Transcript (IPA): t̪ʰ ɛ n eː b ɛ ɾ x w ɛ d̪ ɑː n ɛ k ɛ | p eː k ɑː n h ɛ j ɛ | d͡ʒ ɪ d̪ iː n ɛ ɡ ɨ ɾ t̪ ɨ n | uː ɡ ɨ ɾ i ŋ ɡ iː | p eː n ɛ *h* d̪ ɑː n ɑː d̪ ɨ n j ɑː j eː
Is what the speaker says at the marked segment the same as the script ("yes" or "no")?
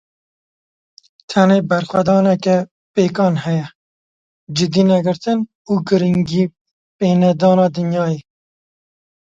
no